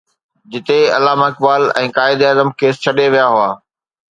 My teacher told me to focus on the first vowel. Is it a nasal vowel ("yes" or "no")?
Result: no